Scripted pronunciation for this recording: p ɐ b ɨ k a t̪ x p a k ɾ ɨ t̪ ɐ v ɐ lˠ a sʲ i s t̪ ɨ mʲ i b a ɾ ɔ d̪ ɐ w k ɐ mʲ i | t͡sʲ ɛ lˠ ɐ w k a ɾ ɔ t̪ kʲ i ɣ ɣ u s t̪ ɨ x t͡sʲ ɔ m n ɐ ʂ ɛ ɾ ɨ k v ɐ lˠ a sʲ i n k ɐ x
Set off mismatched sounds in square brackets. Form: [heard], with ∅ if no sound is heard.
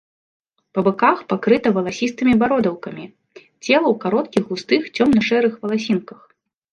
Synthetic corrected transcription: p ɐ b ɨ k a [∅] x p a k ɾ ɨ t̪ ɐ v ɐ lˠ a sʲ i s t̪ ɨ mʲ i b a ɾ ɔ d̪ ɐ w k ɐ mʲ i | t͡sʲ ɛ lˠ ɐ w k a ɾ ɔ t̪ kʲ i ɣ ɣ u s t̪ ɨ x t͡sʲ ɔ m n ɐ ʂ ɛ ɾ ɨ [x] v ɐ lˠ a sʲ i n k ɐ x